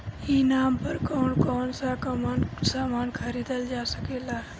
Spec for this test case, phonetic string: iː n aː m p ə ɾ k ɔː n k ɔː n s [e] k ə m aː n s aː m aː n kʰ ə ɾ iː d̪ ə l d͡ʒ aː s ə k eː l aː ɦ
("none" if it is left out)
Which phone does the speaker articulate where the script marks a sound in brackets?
a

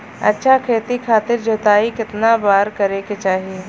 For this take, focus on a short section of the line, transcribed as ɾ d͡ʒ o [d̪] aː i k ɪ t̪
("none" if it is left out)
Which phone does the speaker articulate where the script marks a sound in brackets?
t̪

